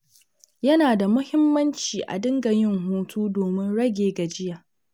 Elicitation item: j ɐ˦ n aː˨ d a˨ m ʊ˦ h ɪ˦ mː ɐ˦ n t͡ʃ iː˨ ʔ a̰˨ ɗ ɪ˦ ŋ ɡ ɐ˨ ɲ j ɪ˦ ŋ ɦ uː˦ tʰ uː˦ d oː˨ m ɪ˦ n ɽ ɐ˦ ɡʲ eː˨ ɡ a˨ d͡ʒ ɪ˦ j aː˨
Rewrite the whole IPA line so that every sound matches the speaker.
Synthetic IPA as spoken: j ɐ˦ n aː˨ d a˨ m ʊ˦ h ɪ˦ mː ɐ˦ n t͡ʃ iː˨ ʔ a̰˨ d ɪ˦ ŋ ɡ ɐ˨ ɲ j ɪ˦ ŋ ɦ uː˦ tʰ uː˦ d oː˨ m ɪ˦ n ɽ ɐ˦ ɡʲ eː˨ ɡ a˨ d͡ʒ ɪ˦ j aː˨